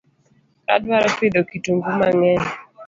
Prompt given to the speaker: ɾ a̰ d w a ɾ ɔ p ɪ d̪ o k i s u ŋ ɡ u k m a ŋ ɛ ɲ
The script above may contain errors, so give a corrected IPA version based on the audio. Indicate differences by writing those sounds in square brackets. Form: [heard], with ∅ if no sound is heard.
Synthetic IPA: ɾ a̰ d w a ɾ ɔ p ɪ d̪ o k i [t] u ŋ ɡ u [∅] m a ŋ ɛ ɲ